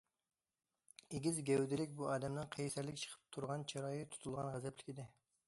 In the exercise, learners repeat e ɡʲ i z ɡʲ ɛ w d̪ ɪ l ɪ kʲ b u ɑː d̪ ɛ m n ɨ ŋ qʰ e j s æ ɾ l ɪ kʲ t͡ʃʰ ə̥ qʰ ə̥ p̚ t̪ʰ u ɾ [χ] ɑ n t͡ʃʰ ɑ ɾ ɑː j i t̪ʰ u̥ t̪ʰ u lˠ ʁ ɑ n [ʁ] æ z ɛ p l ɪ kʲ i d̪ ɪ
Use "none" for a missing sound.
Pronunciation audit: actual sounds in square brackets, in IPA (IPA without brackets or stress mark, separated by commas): ʁ, ʁ